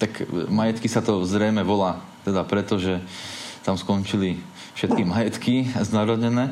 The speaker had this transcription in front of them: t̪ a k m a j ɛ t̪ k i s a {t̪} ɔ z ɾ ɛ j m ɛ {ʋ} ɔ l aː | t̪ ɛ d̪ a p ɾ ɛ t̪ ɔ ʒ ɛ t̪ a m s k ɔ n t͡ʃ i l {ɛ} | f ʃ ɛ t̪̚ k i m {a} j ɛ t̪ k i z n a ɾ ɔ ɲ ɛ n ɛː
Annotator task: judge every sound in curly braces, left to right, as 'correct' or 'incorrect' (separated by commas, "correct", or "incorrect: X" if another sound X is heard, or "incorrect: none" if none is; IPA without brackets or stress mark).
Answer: correct, correct, incorrect: i, correct